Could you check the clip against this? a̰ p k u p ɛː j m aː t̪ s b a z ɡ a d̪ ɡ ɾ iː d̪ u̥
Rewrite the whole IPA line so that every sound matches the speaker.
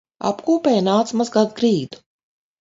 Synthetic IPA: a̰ p k uː p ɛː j n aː t̪ s m a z ɡ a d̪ ɡ ɾ iː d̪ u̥

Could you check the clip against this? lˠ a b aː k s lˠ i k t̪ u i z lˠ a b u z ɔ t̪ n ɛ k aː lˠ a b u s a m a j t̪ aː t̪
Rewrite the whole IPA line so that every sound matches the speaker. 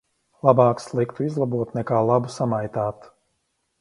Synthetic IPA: lˠ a b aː k s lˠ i k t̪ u i z lˠ a b u ɔ t̪ n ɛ k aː lˠ a b u s a m a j t̪ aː t̪

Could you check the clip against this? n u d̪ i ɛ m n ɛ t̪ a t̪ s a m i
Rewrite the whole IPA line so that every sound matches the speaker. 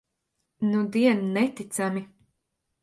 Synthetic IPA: n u d̪ i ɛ n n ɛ t̪ i t̪ s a m i

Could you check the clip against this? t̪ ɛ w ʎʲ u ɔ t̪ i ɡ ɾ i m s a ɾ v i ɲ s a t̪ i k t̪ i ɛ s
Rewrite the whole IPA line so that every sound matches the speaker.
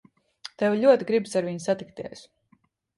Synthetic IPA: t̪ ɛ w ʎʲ u ɔ t̪ i ɡ ɾ i b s a ɾ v i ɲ s a t̪ i k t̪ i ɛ s

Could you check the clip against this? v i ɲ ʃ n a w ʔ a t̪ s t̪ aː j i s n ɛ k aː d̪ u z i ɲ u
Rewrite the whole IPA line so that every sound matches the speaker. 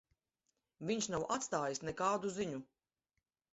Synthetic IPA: v i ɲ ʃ n a w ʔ a t̪ s t̪ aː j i s n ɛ k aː d̪ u z i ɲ u

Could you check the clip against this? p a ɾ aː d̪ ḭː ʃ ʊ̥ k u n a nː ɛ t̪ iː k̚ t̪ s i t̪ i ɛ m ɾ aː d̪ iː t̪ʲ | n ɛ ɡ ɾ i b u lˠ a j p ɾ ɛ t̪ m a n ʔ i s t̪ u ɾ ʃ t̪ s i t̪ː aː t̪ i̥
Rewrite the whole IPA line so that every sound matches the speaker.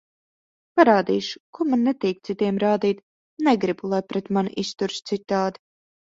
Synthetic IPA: p a ɾ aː d̪ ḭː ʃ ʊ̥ k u m a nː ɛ t̪ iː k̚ t̪ s i t̪ i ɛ m ɾ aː d̪ iː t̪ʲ | n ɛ ɡ ɾ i b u lˠ a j p ɾ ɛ t̪ m a n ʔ i s t̪ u ɾ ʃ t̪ s i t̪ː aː d̪ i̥

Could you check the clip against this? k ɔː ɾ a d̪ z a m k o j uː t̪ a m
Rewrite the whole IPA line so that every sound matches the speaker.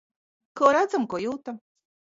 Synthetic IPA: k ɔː ɾ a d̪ z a m k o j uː t̪ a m

